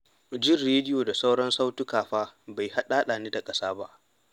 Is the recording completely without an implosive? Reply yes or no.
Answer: no